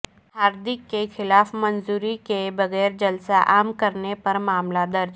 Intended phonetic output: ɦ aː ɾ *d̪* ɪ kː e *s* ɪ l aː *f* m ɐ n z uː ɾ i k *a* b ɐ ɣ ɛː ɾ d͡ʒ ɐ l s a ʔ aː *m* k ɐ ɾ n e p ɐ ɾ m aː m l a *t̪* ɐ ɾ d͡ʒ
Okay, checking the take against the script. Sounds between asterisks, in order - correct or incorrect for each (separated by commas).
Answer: correct, incorrect, correct, incorrect, correct, incorrect